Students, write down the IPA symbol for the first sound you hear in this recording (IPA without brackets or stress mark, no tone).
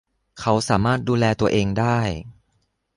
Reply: kʰ